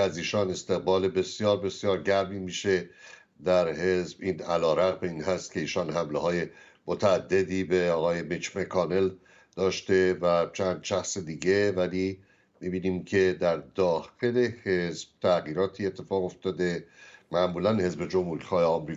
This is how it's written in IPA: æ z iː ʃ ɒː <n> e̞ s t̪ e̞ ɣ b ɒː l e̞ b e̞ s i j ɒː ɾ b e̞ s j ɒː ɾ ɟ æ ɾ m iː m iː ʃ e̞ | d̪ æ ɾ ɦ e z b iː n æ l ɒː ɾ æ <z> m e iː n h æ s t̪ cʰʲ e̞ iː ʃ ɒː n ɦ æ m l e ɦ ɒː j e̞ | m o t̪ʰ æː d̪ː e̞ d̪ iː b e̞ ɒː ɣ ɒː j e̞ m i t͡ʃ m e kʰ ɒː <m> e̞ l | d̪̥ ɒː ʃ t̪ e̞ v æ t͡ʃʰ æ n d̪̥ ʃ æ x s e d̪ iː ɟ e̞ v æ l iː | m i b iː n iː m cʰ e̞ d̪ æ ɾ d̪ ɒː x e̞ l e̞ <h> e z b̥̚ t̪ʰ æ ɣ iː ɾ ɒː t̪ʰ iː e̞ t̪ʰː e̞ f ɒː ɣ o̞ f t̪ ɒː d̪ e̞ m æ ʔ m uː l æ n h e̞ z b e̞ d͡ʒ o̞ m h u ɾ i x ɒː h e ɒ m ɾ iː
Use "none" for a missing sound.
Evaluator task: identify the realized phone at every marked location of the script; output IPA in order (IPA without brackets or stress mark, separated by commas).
n, ɣ, n, h